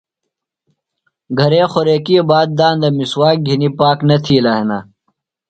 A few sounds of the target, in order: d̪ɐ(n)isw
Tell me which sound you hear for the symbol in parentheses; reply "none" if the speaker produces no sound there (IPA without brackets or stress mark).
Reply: m